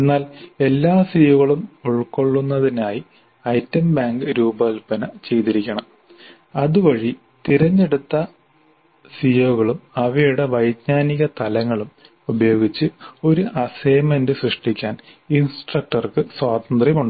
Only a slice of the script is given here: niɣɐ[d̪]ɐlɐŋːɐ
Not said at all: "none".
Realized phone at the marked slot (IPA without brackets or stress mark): t̪